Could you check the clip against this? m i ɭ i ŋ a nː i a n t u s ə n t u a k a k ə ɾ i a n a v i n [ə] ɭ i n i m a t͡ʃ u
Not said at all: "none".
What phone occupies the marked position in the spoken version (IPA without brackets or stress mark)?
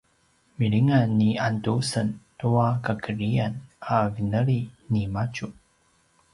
ə